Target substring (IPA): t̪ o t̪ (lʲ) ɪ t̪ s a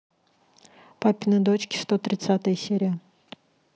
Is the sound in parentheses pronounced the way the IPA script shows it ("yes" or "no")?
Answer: no